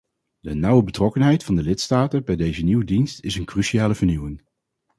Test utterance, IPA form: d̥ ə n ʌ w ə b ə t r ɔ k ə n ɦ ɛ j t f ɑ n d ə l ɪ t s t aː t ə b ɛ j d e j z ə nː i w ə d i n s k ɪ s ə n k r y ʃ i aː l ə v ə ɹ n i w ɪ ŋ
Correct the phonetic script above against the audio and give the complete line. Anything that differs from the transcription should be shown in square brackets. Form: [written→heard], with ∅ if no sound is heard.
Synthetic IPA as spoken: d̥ ə n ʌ w ə b ə t r ɔ k ə n ɦ ɛ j t f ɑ n d ə l ɪ t s t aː t ə b ɛ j d e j z ə [nː→n] i w ə d i n s [k→t] ɪ s ə n k r y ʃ i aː l ə v ə ɹ n i w ɪ ŋ